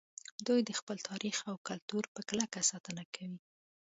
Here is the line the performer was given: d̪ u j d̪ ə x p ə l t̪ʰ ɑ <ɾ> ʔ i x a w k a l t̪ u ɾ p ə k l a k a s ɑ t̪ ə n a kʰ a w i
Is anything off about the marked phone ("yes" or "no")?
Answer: no